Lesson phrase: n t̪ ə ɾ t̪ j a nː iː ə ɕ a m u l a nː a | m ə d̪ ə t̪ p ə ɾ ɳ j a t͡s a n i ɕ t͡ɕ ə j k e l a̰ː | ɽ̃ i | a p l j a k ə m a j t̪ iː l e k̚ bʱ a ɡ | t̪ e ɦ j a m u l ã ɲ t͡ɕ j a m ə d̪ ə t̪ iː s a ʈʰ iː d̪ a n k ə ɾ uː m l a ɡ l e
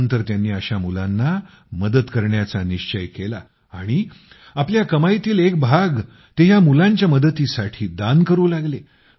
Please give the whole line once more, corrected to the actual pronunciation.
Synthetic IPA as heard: n t̪ ə ɾ t̪ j a nː iː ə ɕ a m u l a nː a | m ə d̪ ə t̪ k ə ɾ ɳ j a t͡s a n i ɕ t͡ɕ ə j k e l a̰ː | ɽ̃ i | a p l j a k ə m a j t̪ iː l e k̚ bʱ a ɡ | t̪ e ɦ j a m u l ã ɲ t͡ɕ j a m ə d̪ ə t̪ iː s a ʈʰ iː d̪ a n k ə ɾ uː l a ɡ l e